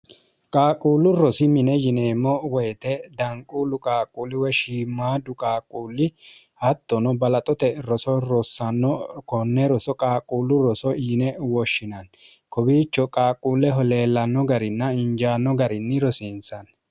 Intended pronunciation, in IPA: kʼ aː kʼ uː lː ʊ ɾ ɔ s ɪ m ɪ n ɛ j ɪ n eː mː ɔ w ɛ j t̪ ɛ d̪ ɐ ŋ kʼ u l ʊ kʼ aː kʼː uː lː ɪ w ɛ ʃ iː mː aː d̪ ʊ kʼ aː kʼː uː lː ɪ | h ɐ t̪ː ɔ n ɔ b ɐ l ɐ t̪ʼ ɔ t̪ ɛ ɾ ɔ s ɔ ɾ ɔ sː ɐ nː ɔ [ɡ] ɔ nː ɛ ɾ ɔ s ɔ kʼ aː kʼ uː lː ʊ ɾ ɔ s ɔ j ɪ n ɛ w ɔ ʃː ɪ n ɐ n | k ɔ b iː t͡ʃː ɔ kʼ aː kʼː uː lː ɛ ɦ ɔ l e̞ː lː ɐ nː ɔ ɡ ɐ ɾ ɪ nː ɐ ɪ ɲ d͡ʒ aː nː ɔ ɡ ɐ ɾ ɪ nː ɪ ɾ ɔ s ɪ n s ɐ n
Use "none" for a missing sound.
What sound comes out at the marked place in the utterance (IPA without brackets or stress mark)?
k